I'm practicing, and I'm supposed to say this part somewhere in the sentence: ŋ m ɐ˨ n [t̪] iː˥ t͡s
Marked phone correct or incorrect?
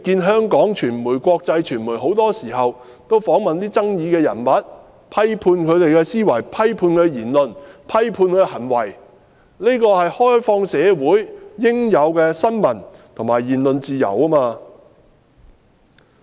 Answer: correct